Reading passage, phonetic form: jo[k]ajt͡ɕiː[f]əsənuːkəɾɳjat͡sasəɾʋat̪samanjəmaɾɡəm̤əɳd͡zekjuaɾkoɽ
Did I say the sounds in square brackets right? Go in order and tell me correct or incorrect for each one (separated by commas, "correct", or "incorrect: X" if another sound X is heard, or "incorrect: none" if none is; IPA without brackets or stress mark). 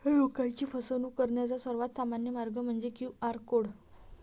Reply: correct, correct